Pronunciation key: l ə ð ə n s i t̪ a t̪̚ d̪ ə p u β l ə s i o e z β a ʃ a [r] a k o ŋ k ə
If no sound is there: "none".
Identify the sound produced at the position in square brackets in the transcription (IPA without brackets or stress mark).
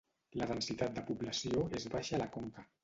l